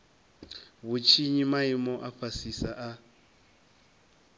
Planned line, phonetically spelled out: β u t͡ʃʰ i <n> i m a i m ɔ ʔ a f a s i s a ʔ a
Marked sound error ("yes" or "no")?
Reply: yes